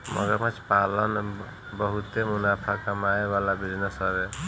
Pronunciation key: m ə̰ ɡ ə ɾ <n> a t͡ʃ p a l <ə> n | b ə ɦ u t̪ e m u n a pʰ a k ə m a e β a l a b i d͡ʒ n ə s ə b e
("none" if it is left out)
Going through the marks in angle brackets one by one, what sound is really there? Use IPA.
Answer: m, ə

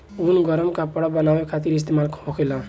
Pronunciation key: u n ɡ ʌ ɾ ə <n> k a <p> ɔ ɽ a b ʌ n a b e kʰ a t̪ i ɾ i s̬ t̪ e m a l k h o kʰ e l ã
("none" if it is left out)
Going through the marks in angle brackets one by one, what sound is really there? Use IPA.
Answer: m, p

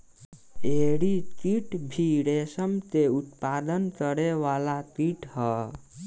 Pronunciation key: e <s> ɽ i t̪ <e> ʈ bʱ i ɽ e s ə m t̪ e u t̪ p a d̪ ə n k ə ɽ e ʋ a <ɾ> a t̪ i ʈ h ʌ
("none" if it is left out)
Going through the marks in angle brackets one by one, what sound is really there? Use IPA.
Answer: none, i, l

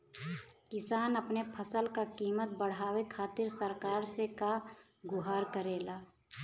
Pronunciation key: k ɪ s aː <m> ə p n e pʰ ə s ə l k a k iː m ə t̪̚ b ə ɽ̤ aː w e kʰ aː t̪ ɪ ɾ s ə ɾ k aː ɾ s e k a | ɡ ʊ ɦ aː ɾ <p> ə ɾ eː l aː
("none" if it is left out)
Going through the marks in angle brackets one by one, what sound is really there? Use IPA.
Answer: n, k

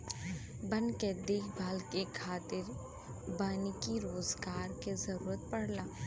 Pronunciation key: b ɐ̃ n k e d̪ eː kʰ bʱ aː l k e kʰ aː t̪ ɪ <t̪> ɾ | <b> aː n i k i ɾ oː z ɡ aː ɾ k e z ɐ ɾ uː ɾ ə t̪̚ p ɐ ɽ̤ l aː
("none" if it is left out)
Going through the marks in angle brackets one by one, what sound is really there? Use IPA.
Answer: none, b

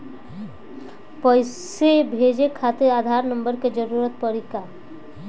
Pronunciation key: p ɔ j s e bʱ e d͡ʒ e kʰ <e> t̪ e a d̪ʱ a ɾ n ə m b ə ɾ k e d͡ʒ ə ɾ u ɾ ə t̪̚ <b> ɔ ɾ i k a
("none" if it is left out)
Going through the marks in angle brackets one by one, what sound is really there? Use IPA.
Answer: a, p

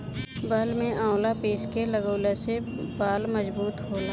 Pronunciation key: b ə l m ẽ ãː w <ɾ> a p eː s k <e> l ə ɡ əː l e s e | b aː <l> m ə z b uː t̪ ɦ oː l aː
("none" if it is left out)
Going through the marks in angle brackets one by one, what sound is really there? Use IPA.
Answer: l, e, l

